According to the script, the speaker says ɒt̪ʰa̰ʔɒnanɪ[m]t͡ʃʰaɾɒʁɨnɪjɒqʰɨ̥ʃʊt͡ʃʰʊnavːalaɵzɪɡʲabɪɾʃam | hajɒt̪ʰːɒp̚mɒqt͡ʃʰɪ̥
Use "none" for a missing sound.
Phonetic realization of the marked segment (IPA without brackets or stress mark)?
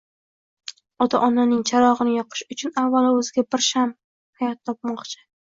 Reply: ŋ